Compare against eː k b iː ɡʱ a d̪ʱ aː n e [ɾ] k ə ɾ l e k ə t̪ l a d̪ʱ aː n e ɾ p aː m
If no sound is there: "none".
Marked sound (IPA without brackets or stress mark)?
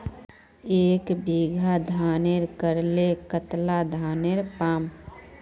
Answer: ɾ